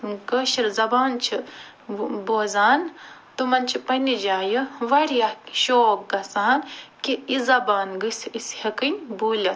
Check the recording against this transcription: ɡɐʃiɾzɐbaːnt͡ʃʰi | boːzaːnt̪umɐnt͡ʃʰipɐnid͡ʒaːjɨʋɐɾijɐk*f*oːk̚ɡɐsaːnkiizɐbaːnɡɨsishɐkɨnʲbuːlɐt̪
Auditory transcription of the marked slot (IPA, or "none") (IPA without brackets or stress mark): ʃ